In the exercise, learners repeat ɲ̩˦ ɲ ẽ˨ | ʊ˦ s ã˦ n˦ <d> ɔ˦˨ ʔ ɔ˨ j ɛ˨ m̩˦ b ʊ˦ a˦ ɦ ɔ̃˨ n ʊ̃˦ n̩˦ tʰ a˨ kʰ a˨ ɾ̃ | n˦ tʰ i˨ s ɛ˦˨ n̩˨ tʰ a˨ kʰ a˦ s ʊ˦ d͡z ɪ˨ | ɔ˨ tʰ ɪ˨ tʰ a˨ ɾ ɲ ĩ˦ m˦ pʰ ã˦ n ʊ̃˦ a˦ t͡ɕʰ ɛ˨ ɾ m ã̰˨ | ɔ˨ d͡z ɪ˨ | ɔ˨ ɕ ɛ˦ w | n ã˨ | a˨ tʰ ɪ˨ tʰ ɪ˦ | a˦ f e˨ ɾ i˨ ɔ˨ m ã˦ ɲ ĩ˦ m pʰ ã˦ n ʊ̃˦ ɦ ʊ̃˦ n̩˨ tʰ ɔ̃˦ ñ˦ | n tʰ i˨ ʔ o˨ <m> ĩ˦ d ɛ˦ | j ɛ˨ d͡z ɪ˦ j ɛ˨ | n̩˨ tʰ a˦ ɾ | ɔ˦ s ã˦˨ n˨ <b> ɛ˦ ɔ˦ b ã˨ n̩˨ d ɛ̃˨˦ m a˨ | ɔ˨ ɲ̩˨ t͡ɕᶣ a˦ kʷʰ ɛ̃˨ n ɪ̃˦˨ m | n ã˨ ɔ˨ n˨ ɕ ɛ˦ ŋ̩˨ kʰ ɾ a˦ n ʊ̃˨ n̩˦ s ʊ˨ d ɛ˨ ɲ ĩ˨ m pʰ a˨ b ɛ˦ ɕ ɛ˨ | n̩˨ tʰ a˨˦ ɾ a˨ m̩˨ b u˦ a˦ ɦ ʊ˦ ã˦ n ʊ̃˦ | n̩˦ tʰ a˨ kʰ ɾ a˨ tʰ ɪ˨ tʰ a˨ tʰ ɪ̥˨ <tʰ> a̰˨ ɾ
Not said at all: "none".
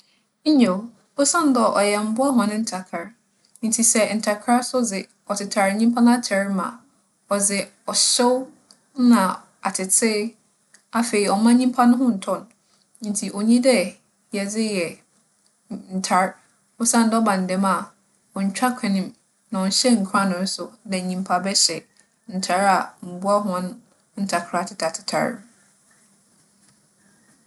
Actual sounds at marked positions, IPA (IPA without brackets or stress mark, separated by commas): d, ɲ, d, tʰ